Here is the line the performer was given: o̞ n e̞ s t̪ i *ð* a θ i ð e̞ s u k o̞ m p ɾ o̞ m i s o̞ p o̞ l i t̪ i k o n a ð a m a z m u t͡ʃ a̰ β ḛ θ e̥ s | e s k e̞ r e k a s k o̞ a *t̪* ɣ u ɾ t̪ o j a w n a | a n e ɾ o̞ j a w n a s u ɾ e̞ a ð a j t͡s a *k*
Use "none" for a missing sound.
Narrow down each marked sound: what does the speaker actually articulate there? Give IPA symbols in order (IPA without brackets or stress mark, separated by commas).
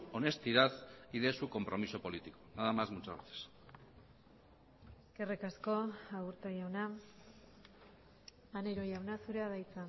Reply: ð, none, none